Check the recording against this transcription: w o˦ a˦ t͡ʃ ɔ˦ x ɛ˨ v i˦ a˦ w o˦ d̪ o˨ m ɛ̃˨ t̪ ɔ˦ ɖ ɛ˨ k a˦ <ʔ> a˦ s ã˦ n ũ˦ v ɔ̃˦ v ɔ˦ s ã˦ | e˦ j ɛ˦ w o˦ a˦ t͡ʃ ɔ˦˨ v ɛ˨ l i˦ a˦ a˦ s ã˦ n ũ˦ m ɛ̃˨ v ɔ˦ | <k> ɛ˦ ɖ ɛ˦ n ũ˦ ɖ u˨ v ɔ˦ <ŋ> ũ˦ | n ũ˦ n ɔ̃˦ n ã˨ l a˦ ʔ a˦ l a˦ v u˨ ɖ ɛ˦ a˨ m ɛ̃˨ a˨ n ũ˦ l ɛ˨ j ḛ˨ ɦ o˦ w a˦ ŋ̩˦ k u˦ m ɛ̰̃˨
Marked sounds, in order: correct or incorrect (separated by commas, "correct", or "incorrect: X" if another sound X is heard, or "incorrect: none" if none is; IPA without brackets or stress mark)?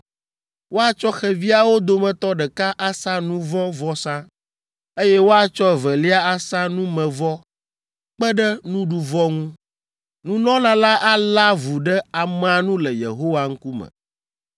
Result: correct, incorrect: k͡p, correct